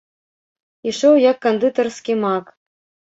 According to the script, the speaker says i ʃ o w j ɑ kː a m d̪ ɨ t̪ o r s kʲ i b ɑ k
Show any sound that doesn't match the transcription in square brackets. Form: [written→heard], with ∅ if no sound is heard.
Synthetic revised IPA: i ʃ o w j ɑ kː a [m→n] d̪ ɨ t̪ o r s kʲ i [b→m] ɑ k